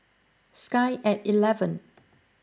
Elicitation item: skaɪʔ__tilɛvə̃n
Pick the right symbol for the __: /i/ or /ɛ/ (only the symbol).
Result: ɛ